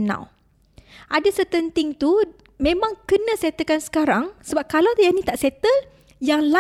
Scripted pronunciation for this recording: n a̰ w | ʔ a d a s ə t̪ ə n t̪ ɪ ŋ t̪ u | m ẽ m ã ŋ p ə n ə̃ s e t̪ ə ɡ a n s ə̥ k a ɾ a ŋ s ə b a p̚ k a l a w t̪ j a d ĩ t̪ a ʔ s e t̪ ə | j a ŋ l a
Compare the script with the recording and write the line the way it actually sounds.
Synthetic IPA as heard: n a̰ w | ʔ a d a s ə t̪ ə n t̪ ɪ ŋ t̪ u | m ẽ m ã ŋ k ə n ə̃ s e t̪ ə k a n s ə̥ k a ɾ a ŋ s ə b a p̚ k a l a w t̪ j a n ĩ t̪ a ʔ s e t̪ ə | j a ŋ l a